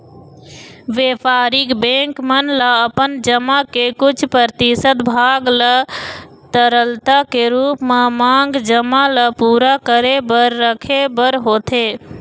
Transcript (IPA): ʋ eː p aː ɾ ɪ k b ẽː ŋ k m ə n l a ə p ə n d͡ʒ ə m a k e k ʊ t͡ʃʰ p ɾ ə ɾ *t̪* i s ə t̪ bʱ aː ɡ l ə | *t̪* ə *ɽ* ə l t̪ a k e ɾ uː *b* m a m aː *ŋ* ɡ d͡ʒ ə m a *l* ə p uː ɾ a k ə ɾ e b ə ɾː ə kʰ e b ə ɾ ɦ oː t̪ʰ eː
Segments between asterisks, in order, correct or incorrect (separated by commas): correct, correct, incorrect, incorrect, correct, correct